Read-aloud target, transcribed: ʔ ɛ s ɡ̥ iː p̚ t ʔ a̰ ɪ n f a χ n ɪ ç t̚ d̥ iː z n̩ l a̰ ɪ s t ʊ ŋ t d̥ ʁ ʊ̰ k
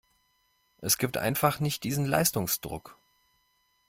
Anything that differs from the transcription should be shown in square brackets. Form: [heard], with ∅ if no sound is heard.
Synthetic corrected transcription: ʔ ɛ s ɡ̥ iː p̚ t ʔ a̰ ɪ n f a χ n ɪ ç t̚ d̥ iː z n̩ l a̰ ɪ s t ʊ ŋ [s] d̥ ʁ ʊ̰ k